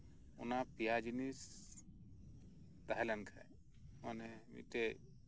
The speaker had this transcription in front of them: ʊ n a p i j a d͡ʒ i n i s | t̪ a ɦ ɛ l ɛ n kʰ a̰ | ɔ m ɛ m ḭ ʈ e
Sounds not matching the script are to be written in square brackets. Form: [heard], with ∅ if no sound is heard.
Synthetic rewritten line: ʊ n a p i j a d͡ʒ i n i s | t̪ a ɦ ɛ l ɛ n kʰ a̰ | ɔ [n] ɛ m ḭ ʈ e